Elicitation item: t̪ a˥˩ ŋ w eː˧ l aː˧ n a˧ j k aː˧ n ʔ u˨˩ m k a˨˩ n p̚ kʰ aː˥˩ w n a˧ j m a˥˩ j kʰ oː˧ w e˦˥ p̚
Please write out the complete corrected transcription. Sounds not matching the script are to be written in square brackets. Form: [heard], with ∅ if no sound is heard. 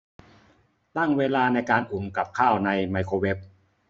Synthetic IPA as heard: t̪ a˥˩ ŋ w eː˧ l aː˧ n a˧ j k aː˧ n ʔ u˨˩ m k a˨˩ [∅] p̚ kʰ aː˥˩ w n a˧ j m [a˧] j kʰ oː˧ w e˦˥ p̚